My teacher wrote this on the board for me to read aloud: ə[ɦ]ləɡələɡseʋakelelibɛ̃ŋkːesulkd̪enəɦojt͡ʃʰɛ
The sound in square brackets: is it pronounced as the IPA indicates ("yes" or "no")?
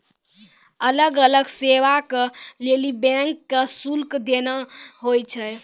no